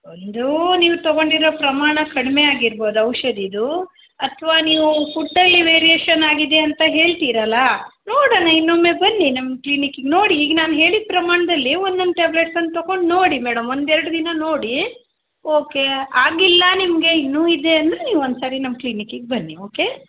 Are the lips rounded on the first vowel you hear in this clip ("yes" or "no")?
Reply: yes